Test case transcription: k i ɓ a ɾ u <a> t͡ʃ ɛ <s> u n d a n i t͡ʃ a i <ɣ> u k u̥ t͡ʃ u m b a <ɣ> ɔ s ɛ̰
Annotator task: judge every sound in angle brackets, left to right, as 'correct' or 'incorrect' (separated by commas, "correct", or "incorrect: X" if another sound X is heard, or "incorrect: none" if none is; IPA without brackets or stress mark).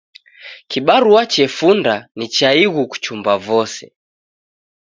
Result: correct, incorrect: f, correct, incorrect: v